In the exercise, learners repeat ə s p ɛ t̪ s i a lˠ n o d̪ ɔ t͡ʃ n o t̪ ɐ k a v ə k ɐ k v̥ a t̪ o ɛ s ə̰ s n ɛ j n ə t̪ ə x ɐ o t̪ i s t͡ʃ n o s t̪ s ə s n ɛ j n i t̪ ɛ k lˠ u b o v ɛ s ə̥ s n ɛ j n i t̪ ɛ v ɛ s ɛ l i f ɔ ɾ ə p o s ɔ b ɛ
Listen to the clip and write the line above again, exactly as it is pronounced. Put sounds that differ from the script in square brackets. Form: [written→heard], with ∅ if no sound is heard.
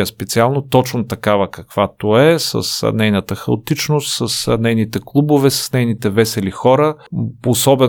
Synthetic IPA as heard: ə s p ɛ t̪ s i a lˠ n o [d̪→t̪] ɔ t͡ʃ n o t̪ ɐ k a v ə k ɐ k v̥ a t̪ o ɛ s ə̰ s n ɛ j n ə t̪ ə x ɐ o t̪ i [s→∅] t͡ʃ n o s t̪ s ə s n ɛ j n i t̪ ɛ k lˠ u b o v ɛ s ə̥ s n ɛ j n i t̪ ɛ v ɛ s ɛ l i [f→x] ɔ ɾ ə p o s ɔ b ɛ